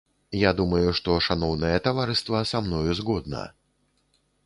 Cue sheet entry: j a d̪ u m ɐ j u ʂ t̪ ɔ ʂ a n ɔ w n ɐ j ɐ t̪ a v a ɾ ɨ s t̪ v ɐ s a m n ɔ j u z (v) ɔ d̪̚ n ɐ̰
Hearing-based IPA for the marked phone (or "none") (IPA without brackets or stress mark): ɣ